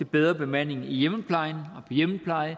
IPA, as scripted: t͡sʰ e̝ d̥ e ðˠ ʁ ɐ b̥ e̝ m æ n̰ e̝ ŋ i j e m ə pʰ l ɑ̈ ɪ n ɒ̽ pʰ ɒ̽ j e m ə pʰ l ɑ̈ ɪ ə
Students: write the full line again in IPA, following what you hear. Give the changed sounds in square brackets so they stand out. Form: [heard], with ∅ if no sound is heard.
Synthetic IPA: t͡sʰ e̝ [b̥] e ðˠ ʁ ɐ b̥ e̝ m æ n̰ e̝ ŋ i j e m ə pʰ l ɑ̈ ɪ n ɒ̽ pʰ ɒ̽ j e m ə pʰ l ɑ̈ ɪ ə